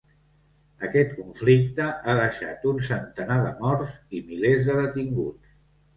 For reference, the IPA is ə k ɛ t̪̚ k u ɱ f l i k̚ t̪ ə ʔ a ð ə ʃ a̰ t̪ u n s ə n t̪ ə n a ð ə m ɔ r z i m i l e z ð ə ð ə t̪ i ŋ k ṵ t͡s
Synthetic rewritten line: ə k ɛ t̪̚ k u ɱ f l i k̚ t̪ ə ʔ a ð ə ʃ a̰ t̪ u n s ə n t̪ ə n a ð ə m ɔ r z i m i l e z ð ə ð ə t̪ i ŋ ɡ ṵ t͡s